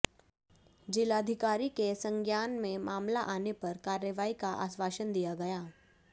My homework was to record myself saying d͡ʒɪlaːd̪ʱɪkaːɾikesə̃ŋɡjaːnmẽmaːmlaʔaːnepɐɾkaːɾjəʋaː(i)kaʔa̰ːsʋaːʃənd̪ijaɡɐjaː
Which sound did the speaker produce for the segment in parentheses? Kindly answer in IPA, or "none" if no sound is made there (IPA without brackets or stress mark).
i